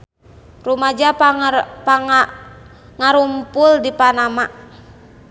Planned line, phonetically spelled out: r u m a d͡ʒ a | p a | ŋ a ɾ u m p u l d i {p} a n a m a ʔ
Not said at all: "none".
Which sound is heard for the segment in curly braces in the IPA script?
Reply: p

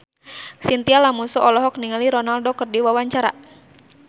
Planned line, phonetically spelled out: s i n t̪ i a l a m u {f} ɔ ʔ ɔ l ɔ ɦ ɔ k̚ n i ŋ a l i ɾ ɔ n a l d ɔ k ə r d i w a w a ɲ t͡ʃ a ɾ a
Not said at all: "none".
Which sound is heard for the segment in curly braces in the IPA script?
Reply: s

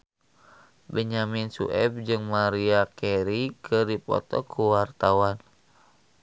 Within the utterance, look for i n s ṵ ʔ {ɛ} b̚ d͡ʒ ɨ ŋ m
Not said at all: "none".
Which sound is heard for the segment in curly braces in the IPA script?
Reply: ɛ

